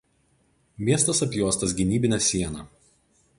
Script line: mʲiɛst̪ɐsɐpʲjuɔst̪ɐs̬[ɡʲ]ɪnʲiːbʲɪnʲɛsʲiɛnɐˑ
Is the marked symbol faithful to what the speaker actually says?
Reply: yes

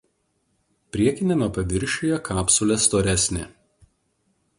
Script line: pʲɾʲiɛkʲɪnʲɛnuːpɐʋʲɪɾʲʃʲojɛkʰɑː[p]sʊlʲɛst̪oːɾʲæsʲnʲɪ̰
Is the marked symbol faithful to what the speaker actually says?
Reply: yes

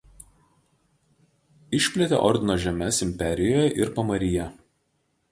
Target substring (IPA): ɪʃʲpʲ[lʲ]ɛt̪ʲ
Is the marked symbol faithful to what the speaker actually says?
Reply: yes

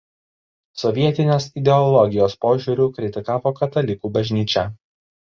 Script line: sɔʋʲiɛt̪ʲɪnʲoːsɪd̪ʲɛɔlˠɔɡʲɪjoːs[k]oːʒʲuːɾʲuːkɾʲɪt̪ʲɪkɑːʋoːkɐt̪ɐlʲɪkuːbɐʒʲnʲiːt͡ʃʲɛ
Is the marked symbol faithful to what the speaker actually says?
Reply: no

